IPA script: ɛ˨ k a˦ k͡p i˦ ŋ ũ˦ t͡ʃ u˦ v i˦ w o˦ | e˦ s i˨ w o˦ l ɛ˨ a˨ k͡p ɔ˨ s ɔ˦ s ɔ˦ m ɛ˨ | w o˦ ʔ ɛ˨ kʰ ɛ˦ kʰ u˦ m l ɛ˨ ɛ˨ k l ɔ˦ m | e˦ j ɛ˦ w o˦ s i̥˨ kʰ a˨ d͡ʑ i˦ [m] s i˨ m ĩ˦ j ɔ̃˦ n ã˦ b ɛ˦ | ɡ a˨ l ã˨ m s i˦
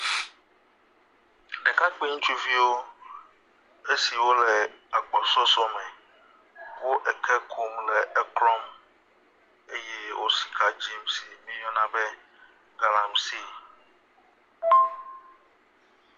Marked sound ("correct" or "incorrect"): correct